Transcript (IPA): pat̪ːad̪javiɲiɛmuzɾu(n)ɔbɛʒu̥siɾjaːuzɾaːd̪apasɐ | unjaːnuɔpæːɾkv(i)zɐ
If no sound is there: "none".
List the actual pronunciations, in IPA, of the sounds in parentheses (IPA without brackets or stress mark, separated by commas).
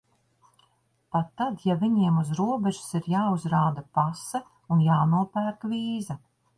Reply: none, iː